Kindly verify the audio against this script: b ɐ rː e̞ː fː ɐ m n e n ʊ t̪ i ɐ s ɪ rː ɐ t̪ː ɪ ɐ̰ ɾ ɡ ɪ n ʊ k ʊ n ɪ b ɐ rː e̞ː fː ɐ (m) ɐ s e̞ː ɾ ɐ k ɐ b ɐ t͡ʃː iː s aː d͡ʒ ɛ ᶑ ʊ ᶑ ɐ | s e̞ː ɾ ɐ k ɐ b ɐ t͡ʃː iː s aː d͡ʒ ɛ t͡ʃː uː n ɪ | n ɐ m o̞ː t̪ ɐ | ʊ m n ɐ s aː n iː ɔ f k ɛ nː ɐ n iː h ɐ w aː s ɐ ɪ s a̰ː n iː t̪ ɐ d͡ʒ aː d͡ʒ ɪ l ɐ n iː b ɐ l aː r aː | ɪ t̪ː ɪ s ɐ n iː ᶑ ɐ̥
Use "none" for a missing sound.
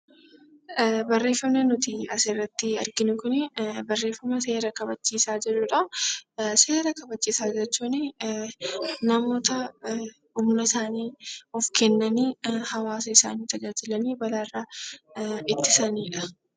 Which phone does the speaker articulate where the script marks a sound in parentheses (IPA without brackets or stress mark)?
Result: m